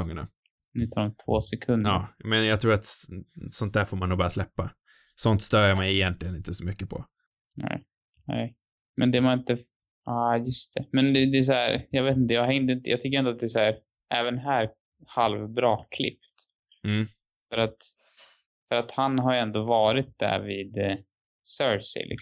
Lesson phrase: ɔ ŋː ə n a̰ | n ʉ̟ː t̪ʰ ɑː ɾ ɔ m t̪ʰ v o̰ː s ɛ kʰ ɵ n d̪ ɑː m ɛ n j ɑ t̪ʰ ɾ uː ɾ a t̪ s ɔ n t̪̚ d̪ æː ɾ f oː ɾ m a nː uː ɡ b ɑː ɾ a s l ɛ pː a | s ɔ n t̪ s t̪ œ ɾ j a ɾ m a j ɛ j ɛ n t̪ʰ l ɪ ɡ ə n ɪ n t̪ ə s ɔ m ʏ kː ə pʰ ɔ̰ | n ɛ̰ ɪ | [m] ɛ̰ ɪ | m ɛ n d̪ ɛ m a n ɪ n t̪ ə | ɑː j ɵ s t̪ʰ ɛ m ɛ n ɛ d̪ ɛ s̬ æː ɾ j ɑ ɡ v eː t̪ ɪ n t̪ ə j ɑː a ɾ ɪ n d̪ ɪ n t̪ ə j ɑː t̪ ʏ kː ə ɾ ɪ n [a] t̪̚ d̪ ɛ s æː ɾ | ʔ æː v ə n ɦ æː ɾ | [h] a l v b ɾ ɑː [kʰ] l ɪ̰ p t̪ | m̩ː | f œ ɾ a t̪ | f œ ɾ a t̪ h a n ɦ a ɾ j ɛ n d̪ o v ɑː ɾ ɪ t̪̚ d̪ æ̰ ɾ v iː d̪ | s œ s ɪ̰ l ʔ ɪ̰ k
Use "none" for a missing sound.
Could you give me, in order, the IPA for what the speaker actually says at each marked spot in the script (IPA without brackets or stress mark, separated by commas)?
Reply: n, a, h, kʰ